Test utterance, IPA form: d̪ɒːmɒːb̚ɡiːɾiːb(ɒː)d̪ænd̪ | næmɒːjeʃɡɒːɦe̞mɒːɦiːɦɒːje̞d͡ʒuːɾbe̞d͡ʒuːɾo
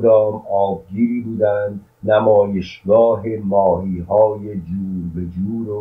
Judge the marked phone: incorrect: uː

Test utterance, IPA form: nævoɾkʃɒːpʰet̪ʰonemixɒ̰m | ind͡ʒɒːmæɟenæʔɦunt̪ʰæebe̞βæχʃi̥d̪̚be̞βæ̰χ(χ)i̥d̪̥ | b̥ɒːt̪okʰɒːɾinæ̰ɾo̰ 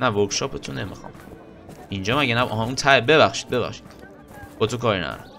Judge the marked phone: incorrect: ʃ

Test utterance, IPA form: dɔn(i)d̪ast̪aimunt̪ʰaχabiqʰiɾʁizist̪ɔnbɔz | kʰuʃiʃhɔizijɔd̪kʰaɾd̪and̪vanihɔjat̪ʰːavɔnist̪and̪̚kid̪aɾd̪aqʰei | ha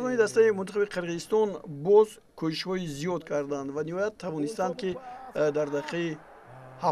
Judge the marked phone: correct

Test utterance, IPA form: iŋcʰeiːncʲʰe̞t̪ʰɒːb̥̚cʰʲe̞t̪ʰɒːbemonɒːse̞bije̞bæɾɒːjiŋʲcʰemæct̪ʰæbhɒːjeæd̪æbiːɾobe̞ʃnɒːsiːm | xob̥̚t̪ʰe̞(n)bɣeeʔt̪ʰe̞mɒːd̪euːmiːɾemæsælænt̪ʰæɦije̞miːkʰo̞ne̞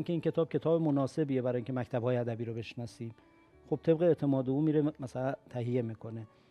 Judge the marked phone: incorrect: none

